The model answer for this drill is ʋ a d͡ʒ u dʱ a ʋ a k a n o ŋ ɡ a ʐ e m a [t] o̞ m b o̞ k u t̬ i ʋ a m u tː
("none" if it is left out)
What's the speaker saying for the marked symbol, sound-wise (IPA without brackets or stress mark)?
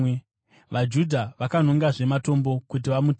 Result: t